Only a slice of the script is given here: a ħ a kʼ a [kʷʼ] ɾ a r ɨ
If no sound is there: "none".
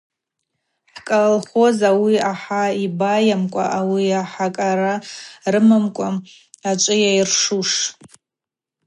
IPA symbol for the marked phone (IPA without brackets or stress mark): none